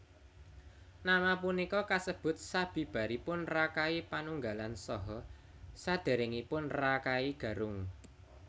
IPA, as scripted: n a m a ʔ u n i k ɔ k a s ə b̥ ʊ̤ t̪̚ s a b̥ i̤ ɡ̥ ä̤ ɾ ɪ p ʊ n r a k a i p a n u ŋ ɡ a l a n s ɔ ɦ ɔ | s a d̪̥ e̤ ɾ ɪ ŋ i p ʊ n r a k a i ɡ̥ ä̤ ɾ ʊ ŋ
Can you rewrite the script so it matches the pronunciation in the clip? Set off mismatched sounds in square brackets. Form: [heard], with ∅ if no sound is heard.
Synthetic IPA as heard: n a m a [p] u n i k ɔ k a s ə b̥ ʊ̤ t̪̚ s a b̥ i̤ [b̥] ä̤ ɾ [i] p ʊ n r a k a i p a n u ŋ ɡ a l a n s ɔ ɦ ɔ | s a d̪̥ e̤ ɾ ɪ ŋ i p ʊ n r a k a i ɡ̥ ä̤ ɾ ʊ ŋ